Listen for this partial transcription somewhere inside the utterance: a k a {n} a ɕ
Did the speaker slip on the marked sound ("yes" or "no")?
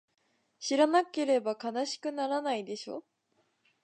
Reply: no